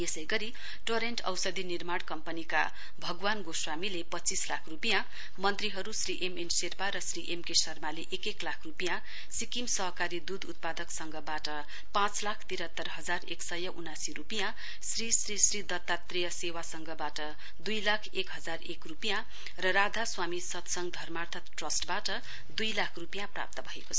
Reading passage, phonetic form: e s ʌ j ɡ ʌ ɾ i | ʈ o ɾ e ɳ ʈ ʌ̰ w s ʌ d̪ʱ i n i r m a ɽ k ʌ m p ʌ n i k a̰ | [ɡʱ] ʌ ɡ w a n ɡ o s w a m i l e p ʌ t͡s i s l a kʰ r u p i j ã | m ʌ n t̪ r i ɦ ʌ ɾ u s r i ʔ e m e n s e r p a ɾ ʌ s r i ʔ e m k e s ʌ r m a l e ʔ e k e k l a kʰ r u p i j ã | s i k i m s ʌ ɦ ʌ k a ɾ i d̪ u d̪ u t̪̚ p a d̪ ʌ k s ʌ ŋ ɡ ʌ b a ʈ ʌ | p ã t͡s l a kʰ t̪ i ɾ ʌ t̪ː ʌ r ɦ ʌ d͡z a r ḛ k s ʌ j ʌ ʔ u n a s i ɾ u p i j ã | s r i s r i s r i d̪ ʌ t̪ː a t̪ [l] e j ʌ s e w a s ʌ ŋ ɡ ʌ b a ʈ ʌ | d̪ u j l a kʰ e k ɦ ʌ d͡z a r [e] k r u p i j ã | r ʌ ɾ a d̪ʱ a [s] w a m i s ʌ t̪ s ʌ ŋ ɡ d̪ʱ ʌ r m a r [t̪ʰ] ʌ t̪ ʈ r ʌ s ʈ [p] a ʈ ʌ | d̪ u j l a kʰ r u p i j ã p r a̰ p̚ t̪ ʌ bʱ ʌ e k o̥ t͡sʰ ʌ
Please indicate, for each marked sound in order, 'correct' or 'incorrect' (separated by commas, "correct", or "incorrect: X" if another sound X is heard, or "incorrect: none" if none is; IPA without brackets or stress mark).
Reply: incorrect: bʱ, incorrect: r, correct, correct, correct, incorrect: b